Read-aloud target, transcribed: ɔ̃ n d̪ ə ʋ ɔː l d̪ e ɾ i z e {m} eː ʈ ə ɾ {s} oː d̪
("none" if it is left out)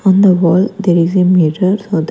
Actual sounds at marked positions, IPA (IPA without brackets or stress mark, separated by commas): m, s